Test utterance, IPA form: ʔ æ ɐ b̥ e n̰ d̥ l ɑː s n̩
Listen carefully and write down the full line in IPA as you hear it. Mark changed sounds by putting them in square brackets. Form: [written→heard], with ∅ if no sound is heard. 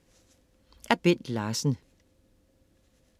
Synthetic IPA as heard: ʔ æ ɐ b̥ e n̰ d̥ l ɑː s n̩